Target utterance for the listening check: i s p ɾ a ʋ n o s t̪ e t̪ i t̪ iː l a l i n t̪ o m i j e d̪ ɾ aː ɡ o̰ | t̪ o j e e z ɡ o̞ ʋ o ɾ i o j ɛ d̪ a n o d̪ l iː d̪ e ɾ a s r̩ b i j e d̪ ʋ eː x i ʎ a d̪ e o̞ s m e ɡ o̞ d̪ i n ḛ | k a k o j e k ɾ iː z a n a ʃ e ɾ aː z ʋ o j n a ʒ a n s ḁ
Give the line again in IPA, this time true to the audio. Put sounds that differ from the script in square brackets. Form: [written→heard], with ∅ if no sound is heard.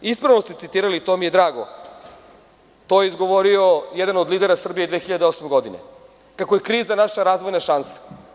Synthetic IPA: i s p ɾ a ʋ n o s t̪ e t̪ i t̪ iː [l→ɾ] a l i [n→∅] t̪ o m i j e d̪ ɾ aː ɡ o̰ | t̪ o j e [e→i] z ɡ o̞ ʋ o ɾ i o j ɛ d̪ a n o d̪ l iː d̪ e ɾ a s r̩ b i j e d̪ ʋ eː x i ʎ a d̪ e o̞ s m e ɡ o̞ d̪ i n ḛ | k a k o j e k ɾ iː z a n a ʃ [e→a] ɾ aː z ʋ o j n a [ʒ→ʃ] a n s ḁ

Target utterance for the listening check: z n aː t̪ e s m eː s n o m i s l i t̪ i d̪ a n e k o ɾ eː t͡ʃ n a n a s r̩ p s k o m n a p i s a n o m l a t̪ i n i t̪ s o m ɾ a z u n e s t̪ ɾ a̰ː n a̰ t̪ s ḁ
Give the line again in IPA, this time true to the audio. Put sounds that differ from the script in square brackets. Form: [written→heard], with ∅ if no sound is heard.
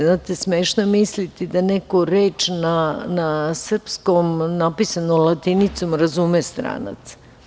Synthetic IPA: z n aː t̪ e s m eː [s→ʃ] n o m i s l i t̪ i d̪ a n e k o ɾ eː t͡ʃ n a n a s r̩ p s k o m n a p i s a n o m l a t̪ i n i t̪ s o m ɾ a z u [n→m] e s t̪ ɾ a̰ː n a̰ t̪ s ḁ

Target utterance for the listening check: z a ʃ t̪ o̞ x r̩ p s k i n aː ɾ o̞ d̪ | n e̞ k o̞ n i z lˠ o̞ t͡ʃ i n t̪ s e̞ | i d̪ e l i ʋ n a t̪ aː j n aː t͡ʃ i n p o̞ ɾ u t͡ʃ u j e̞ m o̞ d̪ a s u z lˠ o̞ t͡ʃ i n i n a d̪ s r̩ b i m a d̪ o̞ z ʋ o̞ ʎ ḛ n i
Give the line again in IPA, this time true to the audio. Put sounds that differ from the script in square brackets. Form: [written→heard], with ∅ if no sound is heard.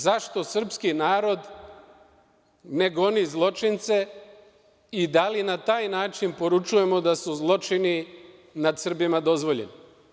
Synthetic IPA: z a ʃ t̪ o̞ [x→s] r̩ p s k i n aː ɾ o̞ d̪ | n e̞ [k→ɡ] o̞ n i z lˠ o̞ t͡ʃ i n t̪ s e̞ | i d̪ [e→a] l i [ʋ→∅] n a t̪ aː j n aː t͡ʃ i n p o̞ ɾ u t͡ʃ u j e̞ m o̞ d̪ a s u z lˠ o̞ t͡ʃ i n i n a d̪ s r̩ b i m a d̪ o̞ z ʋ o̞ ʎ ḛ n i

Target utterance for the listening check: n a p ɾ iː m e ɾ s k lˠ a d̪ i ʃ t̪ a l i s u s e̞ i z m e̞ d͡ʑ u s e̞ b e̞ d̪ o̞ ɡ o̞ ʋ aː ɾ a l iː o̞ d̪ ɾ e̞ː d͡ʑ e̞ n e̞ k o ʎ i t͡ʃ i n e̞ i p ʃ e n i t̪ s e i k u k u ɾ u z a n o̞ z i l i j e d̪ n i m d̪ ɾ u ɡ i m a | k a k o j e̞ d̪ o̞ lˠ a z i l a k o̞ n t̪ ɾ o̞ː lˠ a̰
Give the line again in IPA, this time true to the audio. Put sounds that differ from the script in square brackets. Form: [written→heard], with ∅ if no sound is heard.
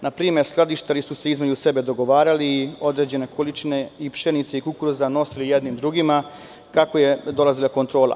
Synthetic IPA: n a p ɾ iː m e ɾ s k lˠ a d̪ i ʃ t̪ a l i s u s e̞ i z m e̞ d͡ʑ u s e̞ b e̞ d̪ o̞ ɡ o̞ ʋ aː ɾ a l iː o̞ d̪ ɾ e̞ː d͡ʑ e̞ n e̞ k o [ʎ→l] i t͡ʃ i n e̞ i p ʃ e n i t̪ s e i k u k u ɾ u z a n o̞ [z→s] i l i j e d̪ n i m d̪ ɾ u ɡ i m a | k a k o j e̞ d̪ o̞ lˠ a z i l a k o̞ n t̪ ɾ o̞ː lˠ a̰

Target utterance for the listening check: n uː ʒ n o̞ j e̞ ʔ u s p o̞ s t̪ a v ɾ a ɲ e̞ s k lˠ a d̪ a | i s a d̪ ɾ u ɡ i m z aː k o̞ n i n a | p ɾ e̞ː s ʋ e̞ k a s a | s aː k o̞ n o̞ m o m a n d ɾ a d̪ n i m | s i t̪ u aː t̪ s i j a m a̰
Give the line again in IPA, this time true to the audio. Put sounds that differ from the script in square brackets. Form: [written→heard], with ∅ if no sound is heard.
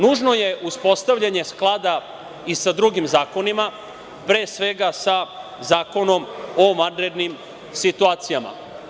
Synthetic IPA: n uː ʒ n o̞ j e̞ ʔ u s p o̞ s t̪ a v [ɾ→ʎ] a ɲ e̞ s k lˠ a d̪ a | i s a d̪ ɾ u ɡ i m z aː k o̞ n i [n→m] a | p ɾ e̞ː s ʋ e̞ [k→ɡ] a s a | [s→z] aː k o̞ n o̞ m o m a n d ɾ [a→e] d̪ n i m | s i t̪ u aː t̪ s i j a m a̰

